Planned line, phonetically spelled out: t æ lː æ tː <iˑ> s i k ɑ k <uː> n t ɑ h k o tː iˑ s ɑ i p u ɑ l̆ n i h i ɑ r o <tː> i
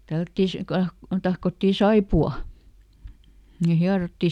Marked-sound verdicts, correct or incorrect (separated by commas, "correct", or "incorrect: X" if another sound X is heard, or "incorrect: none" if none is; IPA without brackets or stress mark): correct, incorrect: u, correct